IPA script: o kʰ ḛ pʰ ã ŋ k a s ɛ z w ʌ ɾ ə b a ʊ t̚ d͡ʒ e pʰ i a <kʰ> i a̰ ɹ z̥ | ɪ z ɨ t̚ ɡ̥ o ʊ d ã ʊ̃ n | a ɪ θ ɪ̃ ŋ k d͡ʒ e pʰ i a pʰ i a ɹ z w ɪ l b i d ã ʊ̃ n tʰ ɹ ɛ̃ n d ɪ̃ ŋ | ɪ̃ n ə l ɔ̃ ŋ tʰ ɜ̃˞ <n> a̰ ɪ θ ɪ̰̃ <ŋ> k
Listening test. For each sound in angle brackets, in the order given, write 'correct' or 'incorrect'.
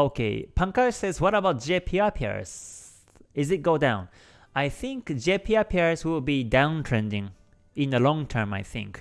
incorrect, incorrect, correct

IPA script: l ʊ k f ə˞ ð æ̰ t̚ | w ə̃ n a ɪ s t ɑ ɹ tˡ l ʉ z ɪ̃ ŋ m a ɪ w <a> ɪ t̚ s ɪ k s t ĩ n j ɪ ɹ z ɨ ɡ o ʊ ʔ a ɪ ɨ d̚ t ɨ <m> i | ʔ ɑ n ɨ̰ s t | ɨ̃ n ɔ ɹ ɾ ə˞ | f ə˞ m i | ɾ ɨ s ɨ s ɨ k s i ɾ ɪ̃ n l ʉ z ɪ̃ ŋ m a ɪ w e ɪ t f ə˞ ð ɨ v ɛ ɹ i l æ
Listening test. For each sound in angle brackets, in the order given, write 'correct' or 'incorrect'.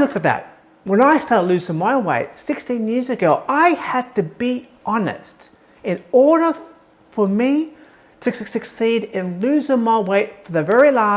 incorrect, incorrect

